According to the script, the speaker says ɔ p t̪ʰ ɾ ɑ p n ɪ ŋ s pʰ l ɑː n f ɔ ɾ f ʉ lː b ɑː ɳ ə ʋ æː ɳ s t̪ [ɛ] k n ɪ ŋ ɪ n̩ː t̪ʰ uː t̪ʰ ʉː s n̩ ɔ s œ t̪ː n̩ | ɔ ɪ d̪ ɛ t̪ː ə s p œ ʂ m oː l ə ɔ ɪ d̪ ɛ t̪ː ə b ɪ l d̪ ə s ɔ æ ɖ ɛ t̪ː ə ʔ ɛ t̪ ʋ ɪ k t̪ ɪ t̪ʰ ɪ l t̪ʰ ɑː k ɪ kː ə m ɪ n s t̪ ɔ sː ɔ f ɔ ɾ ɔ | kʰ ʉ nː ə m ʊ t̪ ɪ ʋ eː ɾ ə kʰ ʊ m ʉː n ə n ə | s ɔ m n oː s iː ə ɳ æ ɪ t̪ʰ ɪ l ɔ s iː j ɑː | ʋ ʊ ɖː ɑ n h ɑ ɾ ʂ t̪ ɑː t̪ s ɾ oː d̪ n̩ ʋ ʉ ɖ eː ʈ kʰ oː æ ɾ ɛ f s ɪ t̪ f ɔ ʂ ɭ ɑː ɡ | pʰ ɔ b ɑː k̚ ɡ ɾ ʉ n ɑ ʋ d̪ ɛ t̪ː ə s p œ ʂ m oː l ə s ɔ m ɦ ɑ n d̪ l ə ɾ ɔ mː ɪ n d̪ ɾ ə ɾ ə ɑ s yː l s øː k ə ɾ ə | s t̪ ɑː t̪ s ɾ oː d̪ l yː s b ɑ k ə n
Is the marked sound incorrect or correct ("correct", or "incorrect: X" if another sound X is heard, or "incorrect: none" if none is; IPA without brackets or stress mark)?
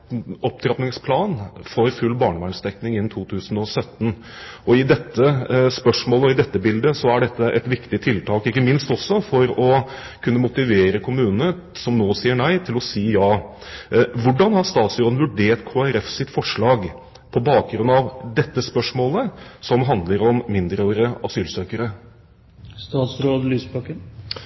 correct